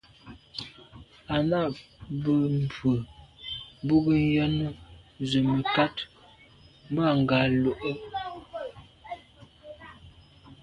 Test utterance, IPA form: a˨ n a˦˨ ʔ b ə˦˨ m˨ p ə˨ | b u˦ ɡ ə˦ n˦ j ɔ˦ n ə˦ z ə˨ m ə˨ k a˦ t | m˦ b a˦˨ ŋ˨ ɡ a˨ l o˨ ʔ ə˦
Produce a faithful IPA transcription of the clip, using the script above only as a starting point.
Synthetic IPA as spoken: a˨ n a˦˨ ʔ b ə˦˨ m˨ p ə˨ | b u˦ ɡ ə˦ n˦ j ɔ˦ n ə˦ z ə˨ m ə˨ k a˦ t | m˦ b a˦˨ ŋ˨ ɡ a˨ l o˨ ʔ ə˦

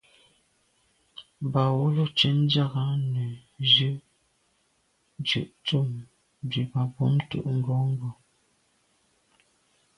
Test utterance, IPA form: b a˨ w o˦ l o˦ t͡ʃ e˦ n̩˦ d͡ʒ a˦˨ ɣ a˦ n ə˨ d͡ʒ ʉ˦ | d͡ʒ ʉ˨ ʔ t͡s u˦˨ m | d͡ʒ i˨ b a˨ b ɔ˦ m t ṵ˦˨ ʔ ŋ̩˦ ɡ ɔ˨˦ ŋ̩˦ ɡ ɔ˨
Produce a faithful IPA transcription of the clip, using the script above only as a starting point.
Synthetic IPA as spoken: b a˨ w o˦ l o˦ t͡ʃ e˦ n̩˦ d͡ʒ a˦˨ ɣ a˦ n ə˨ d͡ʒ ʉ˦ | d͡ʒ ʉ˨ ʔ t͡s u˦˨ m | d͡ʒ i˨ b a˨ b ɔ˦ m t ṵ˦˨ ʔ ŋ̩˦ ɡ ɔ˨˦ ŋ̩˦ ɡ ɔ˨

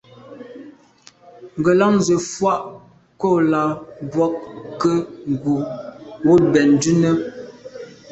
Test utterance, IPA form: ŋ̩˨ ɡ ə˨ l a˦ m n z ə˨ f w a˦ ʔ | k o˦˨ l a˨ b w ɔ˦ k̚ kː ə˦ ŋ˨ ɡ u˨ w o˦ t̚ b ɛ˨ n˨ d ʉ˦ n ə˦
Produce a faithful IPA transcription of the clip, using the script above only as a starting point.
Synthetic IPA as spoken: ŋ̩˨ ɡ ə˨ l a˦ ŋ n z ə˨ f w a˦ ʔ | k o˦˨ l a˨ b w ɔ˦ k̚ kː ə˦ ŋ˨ ɡ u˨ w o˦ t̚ b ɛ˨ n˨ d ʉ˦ n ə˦

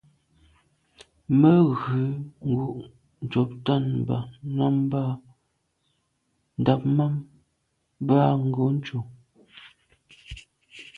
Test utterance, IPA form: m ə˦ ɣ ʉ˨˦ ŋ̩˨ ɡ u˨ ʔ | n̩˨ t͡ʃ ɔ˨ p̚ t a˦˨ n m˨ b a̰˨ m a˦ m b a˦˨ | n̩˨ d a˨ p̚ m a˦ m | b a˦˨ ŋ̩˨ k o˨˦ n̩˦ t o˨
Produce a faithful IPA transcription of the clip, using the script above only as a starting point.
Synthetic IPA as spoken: m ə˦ ɣ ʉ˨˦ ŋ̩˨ ɡ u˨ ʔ | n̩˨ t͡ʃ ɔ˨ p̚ t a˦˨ n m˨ b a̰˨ n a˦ m b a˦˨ | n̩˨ d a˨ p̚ m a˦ m | b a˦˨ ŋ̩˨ ɡ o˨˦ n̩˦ t͡ʃ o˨

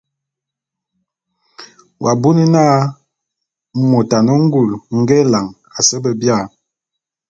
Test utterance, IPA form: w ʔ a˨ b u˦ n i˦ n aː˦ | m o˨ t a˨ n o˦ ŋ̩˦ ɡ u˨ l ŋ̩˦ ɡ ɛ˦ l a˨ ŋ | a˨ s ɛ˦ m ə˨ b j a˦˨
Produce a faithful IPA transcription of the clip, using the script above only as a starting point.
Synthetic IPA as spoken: w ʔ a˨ b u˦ n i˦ n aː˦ | m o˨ t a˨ n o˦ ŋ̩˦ ɡ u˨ l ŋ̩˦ ɡ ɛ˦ l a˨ ŋ | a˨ s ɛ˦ b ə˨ b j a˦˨

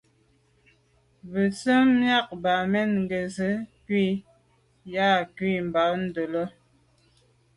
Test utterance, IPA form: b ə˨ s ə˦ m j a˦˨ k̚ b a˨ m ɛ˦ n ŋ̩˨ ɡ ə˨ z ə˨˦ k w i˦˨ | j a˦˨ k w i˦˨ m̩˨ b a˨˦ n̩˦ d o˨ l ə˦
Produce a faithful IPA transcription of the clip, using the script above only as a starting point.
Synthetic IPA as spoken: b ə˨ s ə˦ m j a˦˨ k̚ b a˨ m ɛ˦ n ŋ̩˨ ɡ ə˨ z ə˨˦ k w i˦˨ | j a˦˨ k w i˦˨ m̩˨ b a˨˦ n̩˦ d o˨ l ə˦

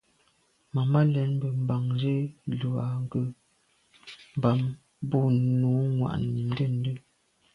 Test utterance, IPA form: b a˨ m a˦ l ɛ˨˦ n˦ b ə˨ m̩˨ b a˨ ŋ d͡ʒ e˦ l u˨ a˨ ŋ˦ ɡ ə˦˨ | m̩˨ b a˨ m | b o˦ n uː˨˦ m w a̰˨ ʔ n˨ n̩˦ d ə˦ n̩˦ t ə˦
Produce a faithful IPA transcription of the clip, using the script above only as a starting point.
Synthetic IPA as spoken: m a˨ m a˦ l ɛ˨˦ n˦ b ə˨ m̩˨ b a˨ ŋ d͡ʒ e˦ l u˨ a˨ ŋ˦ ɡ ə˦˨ | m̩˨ b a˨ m | b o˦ n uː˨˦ ŋ w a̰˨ ʔ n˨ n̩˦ d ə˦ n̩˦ d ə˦

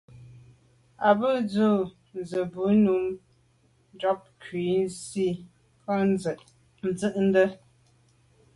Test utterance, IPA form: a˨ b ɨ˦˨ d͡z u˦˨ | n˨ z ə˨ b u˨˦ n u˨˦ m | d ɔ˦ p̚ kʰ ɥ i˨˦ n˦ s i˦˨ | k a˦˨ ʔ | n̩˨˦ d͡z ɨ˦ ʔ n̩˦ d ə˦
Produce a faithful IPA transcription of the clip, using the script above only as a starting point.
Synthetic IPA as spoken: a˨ b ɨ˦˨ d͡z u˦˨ | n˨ z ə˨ b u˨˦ n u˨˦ m | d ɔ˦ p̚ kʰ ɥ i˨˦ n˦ s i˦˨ | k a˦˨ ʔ | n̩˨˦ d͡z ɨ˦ ʔ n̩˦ d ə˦

